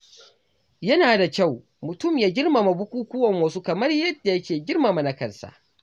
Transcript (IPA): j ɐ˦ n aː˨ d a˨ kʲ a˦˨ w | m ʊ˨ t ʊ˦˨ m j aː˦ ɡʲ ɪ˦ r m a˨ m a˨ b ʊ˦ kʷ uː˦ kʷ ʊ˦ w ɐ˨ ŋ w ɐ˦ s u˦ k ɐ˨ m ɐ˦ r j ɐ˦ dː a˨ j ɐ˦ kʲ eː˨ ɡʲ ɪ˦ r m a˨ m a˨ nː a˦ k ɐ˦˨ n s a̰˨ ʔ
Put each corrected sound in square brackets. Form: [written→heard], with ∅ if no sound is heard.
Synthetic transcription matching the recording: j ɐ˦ n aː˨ d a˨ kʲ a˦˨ w | m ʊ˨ t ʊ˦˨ m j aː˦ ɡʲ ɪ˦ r m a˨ m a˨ b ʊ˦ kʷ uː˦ kʷ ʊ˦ w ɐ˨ ŋ w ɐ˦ s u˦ k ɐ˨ m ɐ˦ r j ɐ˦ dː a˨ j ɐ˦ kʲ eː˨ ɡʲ ɪ˦ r m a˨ m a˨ [nː→n] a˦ k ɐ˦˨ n s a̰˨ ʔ